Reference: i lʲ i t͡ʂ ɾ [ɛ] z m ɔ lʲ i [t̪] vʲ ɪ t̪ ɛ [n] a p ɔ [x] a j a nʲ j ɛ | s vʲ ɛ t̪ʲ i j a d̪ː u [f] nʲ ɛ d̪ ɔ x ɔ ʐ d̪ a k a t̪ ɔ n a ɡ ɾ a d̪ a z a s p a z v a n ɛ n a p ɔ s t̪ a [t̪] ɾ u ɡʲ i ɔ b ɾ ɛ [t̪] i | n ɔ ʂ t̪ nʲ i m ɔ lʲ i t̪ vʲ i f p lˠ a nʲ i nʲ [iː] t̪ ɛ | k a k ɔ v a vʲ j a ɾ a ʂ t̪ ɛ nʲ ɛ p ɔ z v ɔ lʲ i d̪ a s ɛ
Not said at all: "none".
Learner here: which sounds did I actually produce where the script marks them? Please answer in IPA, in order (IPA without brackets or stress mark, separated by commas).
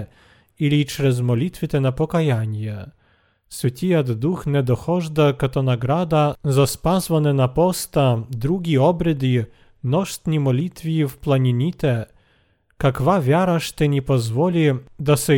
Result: ɛ, t̪, n, k, x, d̪, d̪, i